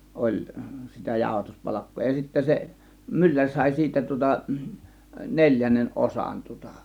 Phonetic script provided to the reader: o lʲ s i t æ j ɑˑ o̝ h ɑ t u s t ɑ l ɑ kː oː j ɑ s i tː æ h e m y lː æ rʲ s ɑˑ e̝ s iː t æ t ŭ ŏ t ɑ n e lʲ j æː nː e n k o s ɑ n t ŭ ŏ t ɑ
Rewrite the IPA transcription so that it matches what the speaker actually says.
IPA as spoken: o lʲ s i t æ j ɑˑ o̝ h ɑ t u s p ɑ l ɑ kː oː j ɑ s i tː æ s e m y lː æ rʲ s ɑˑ e̝ s iː t æ t ŭ ŏ t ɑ n e lʲ j æ nː e n ʔ o s ɑ n t ŭ ŏ t ɑ

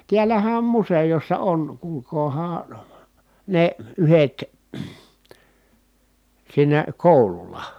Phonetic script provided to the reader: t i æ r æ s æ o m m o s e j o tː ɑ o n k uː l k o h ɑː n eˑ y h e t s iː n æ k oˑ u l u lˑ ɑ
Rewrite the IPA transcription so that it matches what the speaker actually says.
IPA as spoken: t i æ l æ h æ o m m u s e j o sː ɑ o n k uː l k oː h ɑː n eˑ y h e t s iː n æ k oˑ u l u lˑ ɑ

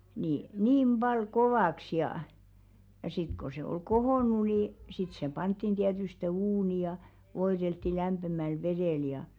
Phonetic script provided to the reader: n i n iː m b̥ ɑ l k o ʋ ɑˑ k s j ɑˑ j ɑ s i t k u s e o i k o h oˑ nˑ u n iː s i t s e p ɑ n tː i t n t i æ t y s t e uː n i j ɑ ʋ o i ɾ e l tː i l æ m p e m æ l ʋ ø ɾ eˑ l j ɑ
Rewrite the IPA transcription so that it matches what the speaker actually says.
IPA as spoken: n i n iː m b̥ ɑ l k o ʋ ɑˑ k s j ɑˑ j ɑ s i t k o s e o i k o h oˑ nˑ u n i s i t s e p ɑ n tː i n t i æ t y s t e uː n i j ɑ ʋ o i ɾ e l tː i l æ m p e m æ l ʋ e ɾ eˑ l j ɑ

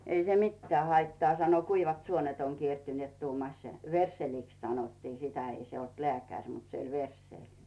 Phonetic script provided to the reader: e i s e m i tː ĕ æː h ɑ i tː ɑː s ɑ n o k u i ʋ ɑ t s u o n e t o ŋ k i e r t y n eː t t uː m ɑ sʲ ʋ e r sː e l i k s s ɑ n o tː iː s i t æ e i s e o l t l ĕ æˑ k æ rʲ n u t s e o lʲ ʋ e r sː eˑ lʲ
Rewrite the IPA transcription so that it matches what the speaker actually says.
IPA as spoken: e i s e m i tː ĕ æː h ɑ i tː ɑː s ɑ n o k u i ʋ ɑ t s u o n e t o ŋ k i e r t y n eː t t uː m ɑ sʲ ʋ e r sː e l i k s s ɑ n o tː iː s i t æ e i s e o l t l ĕ æˑ k æ rʲ m u t s e o lʲ ʋ e r sː eˑ lʲ

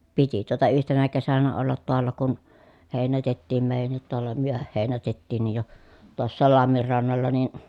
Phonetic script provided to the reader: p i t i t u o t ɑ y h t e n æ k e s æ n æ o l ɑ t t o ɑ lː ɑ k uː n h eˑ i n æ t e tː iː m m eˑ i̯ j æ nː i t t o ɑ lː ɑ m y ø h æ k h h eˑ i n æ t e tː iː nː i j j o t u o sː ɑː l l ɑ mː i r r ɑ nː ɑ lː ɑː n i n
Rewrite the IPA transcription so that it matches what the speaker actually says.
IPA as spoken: p i t i t u o t ɑ y h t e n æ k e s æ n æ o lː ɑ t t o ɑ lː ɑ k u n h eˑ i n æ t e tː iː m m eˑ i̯ j æ nː i t t o ɑ lː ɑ m y ø h æ h h eˑ i n æ t e tː iː nː i j j o t u o sː ɑː l l ɑ mː i r r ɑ nː ɑ lː ɑ n i n

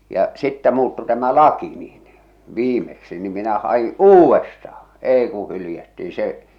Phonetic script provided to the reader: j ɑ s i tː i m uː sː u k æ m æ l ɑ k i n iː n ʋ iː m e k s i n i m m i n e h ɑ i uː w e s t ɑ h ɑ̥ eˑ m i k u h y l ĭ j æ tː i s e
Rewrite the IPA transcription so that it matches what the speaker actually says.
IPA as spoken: j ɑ s i tː æ m uː tː u t æ m æ l ɑ k i n iː n ʋ iː m e k s i n i m m i n æ h ɑ i uː w e s t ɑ h ɑ̥ eˑ i k u h y l ĭ j æ tː i s e

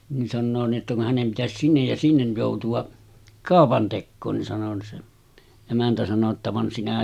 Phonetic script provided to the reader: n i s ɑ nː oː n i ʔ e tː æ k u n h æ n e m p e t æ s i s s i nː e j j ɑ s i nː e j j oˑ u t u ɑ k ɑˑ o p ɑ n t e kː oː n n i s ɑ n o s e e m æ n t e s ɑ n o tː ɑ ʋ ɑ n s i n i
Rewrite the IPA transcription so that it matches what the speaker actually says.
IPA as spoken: n i s ɑ nː oː n i ʔ e tː æ k u n h æ n e m p i t æ s i s s i nː e j j ɑ s i nː e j j oˑ u t u ɑ k ɑˑ o p ɑ n t e kː oː n n i s ɑ n o s e e m æ n t æ s ɑ n o tː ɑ ʋ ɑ n s i n æ

